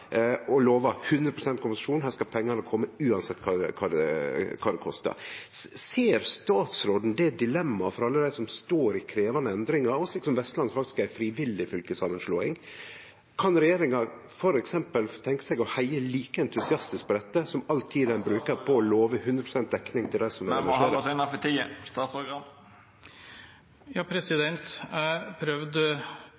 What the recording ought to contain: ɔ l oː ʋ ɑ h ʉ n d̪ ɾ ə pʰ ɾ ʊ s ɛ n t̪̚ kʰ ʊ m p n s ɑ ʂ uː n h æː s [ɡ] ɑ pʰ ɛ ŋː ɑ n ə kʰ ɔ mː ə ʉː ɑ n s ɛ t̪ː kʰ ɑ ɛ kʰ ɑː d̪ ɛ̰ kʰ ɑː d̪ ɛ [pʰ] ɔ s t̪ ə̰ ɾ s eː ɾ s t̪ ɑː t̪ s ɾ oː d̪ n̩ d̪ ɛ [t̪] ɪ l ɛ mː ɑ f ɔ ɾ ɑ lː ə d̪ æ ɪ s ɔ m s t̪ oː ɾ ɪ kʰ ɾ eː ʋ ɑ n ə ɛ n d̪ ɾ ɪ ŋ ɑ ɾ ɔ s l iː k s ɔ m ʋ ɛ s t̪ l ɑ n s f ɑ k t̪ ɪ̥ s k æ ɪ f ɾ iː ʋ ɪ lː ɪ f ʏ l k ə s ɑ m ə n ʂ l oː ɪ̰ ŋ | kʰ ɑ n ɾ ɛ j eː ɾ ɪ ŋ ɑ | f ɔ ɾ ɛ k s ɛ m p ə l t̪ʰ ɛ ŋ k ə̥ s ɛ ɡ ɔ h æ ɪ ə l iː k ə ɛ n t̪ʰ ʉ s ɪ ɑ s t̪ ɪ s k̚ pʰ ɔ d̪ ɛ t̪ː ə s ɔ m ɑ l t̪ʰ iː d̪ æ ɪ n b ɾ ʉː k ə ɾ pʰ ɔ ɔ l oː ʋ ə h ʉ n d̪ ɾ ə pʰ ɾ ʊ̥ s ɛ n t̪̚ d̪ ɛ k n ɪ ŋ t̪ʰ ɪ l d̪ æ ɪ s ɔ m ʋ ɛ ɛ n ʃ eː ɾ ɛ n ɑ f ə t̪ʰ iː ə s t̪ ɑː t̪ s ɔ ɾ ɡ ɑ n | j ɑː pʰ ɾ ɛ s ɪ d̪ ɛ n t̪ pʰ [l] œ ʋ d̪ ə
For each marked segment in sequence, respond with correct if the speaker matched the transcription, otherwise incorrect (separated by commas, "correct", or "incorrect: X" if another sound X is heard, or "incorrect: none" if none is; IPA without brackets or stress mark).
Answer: incorrect: k, incorrect: kʰ, incorrect: d̪, incorrect: ɾ